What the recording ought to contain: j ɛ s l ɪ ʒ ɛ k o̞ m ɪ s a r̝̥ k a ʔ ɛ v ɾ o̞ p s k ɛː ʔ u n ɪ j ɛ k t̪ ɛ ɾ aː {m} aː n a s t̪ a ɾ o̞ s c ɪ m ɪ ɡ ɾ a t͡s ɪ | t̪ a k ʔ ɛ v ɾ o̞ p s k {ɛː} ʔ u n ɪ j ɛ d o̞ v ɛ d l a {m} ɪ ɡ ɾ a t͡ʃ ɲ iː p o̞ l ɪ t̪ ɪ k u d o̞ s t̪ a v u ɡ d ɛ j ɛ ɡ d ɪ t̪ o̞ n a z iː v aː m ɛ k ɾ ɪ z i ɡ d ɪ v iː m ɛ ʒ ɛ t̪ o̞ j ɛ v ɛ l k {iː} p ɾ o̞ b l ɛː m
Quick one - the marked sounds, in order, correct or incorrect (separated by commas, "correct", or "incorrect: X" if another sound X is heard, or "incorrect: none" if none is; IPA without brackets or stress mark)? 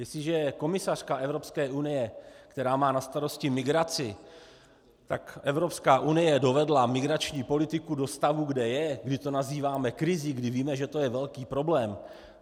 correct, incorrect: aː, correct, correct